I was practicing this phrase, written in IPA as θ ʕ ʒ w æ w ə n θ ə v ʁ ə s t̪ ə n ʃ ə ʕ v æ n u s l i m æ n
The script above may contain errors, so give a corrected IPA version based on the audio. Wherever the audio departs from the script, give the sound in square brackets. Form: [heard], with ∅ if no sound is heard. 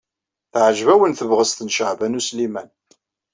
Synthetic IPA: θ ʕ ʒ [v] æ w ə n θ ə v ʁ ə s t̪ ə n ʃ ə ʕ v æ n u s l i m æ n

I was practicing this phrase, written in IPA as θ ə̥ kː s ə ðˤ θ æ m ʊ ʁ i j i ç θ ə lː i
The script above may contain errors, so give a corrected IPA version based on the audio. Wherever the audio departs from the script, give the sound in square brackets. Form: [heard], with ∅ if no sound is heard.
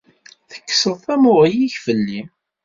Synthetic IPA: θ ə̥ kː s ə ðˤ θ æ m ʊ ʁ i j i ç [f] ə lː i

